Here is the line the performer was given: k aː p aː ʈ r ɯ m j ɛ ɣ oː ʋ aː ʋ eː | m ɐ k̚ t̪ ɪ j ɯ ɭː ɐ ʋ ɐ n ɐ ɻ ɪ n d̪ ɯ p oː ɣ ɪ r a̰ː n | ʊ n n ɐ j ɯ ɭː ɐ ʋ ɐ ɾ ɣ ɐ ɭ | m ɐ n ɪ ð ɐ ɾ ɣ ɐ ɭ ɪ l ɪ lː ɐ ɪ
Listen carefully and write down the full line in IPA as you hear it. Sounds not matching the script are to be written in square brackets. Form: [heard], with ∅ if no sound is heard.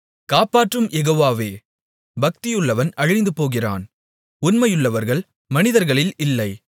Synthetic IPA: k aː p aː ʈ r ɯ m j ɛ ɣ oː ʋ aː ʋ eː | [b] ɐ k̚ t̪ ɪ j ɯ ɭː ɐ ʋ ɐ n ɐ ɻ ɪ n d̪ ɯ p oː ɣ ɪ r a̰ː n | ʊ n [m] ɐ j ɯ ɭː ɐ ʋ ɐ ɾ ɣ ɐ ɭ | m ɐ n ɪ ð ɐ ɾ ɣ ɐ ɭ ɪ l ɪ lː ɐ ɪ